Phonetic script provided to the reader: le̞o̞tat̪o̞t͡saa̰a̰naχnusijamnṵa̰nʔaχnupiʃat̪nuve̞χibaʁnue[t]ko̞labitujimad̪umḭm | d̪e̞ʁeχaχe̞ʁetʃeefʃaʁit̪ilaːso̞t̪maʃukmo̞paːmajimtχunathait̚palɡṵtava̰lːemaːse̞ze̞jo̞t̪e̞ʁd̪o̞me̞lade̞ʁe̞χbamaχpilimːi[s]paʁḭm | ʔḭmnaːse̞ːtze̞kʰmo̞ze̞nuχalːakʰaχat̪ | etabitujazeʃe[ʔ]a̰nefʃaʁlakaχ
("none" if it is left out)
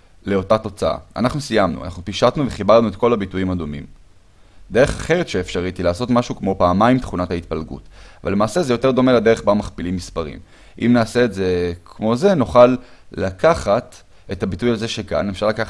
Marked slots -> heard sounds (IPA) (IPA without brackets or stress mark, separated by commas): t, s, k